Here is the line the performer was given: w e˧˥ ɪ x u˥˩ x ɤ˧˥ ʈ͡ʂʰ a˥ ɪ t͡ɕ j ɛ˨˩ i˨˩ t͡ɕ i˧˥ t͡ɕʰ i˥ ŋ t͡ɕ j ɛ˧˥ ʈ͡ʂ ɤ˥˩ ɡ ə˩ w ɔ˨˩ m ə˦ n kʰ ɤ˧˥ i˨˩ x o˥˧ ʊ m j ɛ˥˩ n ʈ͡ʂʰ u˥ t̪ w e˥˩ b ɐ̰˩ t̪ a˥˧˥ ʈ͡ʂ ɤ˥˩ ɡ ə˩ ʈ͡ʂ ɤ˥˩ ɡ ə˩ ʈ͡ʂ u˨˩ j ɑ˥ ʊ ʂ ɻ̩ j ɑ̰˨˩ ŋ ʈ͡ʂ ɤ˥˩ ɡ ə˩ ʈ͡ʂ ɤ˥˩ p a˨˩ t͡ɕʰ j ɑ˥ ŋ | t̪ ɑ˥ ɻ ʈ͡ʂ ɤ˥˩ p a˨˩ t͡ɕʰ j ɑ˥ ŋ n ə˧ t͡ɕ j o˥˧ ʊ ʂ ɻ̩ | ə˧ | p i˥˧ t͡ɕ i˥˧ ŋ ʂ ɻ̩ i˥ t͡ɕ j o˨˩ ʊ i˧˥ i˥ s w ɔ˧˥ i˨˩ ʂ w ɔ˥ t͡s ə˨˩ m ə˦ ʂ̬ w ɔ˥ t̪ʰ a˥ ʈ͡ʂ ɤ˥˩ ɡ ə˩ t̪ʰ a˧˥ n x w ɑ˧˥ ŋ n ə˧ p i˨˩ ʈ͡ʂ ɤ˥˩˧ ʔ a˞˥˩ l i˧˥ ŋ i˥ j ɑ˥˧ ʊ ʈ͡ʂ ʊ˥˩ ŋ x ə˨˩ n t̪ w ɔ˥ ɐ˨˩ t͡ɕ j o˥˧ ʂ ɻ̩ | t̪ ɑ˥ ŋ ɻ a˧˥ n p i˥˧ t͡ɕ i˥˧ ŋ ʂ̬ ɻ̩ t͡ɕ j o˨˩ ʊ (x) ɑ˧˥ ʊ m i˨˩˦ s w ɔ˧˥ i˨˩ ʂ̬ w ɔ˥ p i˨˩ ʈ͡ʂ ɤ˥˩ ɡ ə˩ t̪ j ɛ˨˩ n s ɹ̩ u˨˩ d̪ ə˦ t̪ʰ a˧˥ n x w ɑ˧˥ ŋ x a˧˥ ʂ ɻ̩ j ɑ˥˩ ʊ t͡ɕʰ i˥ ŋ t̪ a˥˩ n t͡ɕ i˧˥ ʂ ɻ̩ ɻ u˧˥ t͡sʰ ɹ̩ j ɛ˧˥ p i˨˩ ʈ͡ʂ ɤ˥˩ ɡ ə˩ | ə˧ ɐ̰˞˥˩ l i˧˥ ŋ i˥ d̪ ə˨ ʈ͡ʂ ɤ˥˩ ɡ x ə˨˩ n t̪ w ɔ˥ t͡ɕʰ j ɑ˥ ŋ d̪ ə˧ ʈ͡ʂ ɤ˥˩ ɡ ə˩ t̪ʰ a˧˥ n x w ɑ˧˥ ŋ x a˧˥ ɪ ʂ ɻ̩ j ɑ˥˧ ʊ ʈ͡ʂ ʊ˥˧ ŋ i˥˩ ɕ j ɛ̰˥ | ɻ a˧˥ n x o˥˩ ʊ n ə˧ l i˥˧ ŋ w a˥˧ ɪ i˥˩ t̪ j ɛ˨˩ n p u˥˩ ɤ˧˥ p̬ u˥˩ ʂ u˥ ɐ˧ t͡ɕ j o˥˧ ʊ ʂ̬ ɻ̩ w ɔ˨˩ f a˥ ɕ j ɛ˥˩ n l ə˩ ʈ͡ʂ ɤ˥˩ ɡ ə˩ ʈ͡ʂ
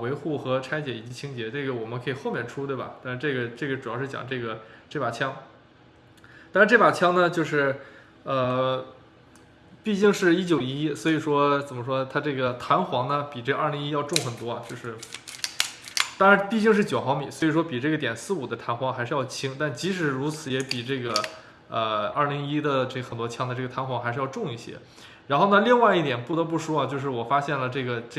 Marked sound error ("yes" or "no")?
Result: no